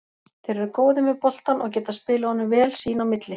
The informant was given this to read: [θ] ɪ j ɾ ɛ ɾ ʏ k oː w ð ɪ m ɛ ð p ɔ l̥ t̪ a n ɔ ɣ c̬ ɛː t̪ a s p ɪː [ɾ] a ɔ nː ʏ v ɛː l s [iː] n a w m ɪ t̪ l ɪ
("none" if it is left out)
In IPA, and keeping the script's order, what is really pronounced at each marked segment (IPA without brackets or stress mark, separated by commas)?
θ, l, iː